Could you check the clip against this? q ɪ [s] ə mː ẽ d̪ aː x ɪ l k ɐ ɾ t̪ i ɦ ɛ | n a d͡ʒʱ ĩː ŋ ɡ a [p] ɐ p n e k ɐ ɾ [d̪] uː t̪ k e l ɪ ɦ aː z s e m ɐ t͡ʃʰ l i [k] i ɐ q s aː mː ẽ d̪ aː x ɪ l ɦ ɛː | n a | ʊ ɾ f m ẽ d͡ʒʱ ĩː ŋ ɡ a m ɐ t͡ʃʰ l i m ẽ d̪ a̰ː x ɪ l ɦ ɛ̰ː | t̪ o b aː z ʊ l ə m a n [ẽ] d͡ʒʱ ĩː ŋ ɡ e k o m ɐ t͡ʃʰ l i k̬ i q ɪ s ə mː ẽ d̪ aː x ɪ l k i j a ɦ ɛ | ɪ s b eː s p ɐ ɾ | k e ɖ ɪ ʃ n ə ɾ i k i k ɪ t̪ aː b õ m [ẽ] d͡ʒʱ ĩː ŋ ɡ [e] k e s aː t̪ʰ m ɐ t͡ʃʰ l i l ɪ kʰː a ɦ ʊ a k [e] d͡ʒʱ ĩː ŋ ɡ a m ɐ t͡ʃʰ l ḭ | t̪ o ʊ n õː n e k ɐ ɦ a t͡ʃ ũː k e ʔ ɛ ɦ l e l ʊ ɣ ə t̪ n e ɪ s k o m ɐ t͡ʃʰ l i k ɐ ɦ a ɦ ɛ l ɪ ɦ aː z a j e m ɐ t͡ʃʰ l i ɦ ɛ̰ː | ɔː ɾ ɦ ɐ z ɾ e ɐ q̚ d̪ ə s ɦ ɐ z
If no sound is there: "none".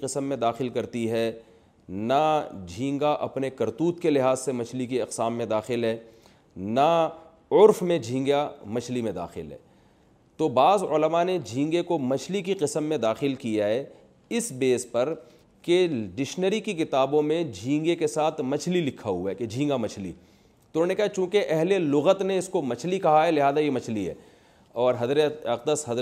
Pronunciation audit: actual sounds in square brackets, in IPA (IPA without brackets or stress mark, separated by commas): s, ʔ, t̪, k, e, ẽ, e, e